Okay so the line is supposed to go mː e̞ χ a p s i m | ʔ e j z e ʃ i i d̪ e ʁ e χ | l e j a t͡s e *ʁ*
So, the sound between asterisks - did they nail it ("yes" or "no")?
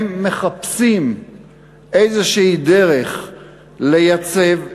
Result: no